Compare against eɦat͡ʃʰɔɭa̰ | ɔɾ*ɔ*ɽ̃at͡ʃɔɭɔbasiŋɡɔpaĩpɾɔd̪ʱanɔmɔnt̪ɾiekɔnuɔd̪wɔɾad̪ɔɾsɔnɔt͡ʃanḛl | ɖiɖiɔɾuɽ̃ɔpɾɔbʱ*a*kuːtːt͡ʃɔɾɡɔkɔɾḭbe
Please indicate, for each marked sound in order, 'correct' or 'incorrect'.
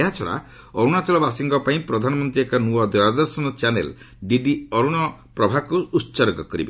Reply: incorrect, correct

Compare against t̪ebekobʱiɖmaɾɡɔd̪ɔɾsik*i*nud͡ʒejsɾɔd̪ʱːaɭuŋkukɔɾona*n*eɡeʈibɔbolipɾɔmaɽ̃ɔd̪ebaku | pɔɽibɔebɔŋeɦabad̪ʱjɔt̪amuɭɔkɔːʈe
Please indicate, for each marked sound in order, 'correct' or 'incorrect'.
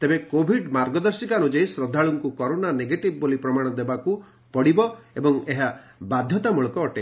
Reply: incorrect, correct

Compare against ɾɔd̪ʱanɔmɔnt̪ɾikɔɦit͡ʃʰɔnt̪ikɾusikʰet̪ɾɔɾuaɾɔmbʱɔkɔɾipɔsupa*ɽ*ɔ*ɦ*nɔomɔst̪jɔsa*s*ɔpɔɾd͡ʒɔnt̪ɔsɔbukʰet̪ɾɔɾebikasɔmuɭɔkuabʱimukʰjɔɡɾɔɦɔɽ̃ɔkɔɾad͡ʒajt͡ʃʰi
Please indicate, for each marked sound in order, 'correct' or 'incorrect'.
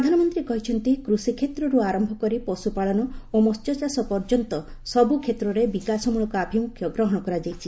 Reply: incorrect, incorrect, correct

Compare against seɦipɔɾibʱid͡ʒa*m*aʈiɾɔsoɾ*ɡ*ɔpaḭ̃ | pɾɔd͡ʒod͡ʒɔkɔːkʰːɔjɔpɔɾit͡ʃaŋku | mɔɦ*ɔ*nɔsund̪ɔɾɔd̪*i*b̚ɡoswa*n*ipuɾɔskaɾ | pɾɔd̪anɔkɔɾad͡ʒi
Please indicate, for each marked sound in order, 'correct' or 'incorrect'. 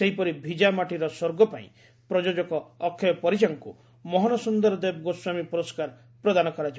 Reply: correct, correct, correct, incorrect, incorrect

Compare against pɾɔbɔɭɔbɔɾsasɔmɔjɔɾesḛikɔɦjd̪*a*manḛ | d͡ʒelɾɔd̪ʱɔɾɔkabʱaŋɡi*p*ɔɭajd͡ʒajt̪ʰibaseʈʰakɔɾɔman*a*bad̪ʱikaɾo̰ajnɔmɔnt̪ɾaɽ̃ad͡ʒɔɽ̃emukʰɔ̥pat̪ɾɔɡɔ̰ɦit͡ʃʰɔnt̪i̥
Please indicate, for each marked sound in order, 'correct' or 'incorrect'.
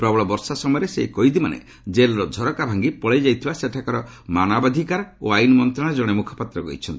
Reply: incorrect, correct, correct

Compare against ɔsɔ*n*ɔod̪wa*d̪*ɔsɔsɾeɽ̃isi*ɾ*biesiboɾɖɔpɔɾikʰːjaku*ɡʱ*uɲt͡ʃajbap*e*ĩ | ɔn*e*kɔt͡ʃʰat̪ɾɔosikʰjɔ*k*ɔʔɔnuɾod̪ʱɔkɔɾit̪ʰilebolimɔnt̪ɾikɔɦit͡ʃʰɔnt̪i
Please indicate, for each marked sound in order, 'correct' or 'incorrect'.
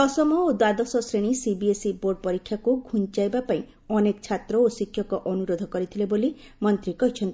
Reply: incorrect, correct, incorrect, correct, incorrect, correct, correct

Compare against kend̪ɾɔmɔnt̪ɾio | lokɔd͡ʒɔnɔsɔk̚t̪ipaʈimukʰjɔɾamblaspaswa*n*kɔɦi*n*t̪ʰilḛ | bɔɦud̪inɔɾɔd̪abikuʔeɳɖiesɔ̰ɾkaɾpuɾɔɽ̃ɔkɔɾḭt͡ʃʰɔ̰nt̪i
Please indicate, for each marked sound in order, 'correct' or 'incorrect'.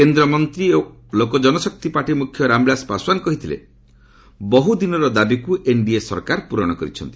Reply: correct, incorrect

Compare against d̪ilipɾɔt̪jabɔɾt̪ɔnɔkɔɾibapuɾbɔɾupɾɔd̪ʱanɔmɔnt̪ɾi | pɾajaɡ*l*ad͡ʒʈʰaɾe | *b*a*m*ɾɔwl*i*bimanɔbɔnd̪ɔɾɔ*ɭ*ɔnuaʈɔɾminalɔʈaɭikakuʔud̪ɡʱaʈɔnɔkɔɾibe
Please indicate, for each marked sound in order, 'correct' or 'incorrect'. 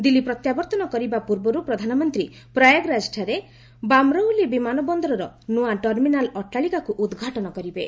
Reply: incorrect, correct, correct, correct, incorrect

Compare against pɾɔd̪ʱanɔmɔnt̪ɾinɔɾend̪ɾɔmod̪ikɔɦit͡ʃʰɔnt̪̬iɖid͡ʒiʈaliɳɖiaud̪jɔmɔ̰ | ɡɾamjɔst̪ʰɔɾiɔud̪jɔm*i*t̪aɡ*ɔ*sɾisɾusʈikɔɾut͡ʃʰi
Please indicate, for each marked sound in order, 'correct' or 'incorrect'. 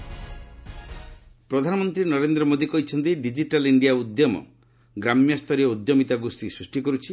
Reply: correct, incorrect

